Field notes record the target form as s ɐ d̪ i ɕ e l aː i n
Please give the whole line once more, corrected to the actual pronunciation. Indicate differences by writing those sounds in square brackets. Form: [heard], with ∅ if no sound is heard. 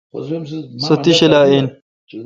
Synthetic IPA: s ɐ [t̪] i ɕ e l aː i n